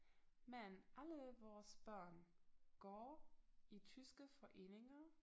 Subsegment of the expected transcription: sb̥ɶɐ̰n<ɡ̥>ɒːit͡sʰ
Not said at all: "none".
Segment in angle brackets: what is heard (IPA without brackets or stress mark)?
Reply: ɡ̥